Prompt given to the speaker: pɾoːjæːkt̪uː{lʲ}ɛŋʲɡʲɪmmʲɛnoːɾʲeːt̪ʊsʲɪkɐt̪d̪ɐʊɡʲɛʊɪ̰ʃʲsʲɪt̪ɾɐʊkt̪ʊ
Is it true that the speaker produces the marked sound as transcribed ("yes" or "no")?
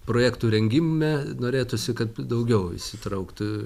no